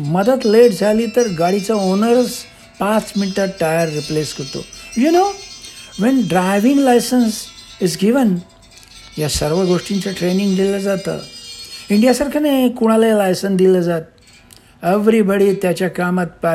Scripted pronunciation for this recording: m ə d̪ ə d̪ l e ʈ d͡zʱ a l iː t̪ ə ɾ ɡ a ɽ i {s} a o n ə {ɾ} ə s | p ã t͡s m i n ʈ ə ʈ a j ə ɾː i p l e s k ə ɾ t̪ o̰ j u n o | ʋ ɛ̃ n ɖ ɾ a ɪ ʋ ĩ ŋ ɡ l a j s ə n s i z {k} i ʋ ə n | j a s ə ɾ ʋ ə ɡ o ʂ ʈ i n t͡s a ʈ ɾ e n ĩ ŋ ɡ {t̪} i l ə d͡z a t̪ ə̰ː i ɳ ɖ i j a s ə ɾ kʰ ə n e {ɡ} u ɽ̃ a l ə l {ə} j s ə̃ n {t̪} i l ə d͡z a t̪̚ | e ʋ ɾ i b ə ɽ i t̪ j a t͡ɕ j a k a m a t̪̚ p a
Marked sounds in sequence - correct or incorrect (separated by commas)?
incorrect, correct, incorrect, incorrect, incorrect, incorrect, incorrect